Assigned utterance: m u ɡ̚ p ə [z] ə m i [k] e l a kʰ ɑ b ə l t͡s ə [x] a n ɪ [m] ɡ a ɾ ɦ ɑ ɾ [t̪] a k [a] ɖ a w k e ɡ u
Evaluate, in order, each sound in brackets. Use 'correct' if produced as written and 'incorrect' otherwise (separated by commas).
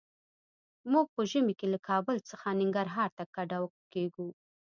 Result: incorrect, correct, correct, incorrect, correct, correct